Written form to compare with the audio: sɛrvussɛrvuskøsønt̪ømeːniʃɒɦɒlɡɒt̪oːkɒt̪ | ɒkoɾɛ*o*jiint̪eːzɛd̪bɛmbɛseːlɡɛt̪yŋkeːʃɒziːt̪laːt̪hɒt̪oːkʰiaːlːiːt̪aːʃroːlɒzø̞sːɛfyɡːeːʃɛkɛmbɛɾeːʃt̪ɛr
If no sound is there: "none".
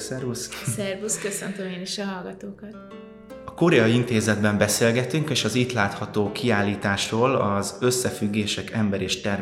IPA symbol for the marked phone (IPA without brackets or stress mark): ɒ